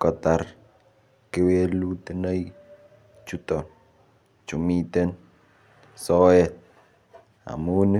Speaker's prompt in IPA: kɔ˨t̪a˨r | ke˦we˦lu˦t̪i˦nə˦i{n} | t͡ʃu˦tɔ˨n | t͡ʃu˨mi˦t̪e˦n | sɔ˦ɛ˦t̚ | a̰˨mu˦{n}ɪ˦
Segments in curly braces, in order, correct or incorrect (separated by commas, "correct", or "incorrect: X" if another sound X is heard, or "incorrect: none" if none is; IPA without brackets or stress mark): incorrect: none, correct